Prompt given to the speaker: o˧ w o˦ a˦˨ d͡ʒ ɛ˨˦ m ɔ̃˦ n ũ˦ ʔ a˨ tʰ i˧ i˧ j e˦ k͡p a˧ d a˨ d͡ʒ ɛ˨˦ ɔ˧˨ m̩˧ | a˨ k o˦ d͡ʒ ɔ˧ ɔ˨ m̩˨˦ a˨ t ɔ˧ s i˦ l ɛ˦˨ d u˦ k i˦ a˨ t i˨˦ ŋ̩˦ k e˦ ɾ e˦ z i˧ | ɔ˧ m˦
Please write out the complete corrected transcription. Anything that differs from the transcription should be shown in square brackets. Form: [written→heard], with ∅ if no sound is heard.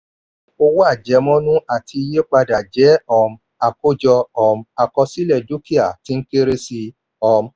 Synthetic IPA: o˧ w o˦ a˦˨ d͡ʒ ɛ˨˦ m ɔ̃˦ n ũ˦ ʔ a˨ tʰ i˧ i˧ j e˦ k͡p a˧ d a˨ d͡ʒ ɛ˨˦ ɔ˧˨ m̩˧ | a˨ k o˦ d͡ʒ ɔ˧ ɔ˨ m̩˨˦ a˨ [t→k] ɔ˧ s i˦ l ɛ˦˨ d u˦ k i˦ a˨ t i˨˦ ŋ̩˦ k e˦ ɾ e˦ [z→s] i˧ | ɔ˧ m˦